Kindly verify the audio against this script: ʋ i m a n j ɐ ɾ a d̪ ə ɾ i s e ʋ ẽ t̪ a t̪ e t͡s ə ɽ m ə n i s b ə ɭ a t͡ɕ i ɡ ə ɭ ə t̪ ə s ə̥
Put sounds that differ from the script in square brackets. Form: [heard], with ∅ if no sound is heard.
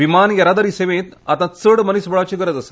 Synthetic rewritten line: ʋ i m a n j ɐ ɾ a d̪ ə ɾ i s e ʋ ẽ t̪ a t̪ [a] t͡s ə ɽ m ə n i s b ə ɭ a t͡ɕ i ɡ ə [ɾ] ə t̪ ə s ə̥

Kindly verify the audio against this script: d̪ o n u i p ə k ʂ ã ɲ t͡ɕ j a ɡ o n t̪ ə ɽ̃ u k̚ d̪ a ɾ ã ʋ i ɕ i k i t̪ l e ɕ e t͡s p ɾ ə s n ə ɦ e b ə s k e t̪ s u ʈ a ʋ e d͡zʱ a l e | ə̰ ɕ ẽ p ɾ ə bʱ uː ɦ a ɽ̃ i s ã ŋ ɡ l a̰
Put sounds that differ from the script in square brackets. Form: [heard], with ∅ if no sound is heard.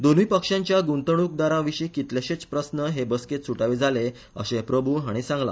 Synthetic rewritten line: d̪ o n u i p ə k ʂ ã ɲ t͡ɕ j a ɡ [u] n t̪ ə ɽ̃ u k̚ d̪ a ɾ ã ʋ i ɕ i k i t̪ l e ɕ e t͡s p ɾ ə s n ə ɦ e b ə s k e t̪ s u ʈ a ʋ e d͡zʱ a l e | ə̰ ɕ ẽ p ɾ ə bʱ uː ɦ a ɽ̃ i s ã ŋ ɡ l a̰

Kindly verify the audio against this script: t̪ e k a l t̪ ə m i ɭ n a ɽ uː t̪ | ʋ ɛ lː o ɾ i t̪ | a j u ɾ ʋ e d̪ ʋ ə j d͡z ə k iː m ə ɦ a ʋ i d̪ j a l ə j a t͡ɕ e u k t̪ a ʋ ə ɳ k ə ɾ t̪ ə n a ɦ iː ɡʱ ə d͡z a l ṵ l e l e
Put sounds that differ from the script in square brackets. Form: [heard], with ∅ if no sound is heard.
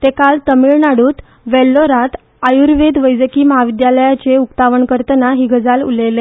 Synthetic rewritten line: t̪ e k a l t̪ ə m i ɭ n a ɽ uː t̪ | ʋ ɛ lː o ɾ [a] t̪ | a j u ɾ ʋ e d̪ ʋ ə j d͡z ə k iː m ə ɦ a ʋ i d̪ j a l ə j a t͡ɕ e u k t̪ a ʋ ə ɳ k ə ɾ t̪ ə n a ɦ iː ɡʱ ə d͡z a l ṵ l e l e

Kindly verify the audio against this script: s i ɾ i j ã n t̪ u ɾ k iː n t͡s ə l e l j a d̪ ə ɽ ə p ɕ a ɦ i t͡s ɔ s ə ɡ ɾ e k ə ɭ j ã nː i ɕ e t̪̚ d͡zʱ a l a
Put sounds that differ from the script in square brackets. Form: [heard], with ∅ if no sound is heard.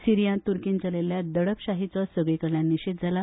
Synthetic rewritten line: s i ɾ i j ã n t̪ u ɾ k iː n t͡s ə l e l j a d̪ ə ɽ ə p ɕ a ɦ i t͡s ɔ s ə ɡ [ɭ] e k ə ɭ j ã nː i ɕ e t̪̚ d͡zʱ a l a

